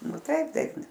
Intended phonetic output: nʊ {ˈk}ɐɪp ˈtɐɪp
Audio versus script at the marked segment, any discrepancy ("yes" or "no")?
yes